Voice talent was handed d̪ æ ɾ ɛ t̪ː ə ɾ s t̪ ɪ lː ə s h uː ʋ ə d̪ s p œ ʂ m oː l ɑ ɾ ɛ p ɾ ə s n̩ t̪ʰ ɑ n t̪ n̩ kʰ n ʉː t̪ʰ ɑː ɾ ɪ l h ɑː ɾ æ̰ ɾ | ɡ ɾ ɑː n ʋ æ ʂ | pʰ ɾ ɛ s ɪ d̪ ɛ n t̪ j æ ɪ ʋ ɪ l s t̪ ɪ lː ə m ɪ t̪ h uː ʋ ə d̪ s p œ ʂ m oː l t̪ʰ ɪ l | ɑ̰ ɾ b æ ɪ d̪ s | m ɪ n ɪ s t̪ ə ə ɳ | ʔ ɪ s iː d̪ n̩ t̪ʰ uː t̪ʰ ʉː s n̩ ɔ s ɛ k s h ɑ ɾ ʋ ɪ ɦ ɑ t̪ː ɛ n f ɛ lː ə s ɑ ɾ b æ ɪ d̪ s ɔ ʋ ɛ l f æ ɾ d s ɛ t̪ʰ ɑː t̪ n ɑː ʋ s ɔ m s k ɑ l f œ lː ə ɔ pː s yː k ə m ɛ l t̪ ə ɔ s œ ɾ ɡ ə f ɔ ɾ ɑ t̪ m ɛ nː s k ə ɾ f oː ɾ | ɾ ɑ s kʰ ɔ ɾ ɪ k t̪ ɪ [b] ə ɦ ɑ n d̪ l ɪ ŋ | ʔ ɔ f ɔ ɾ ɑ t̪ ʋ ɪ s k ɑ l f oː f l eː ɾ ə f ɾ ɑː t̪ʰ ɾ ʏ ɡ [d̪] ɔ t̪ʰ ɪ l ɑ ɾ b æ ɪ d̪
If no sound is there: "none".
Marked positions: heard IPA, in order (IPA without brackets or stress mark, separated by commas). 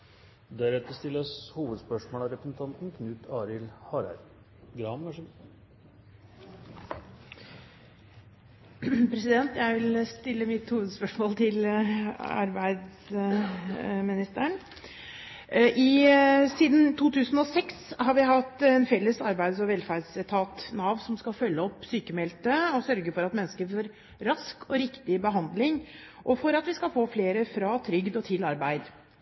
b, d̪